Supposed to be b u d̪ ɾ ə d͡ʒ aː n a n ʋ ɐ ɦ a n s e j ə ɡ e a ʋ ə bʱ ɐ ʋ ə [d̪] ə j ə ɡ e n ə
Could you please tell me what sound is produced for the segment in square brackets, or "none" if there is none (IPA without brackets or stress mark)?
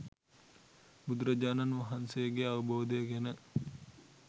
d̪